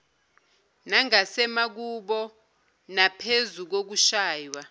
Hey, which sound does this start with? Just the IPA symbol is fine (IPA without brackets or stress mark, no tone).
n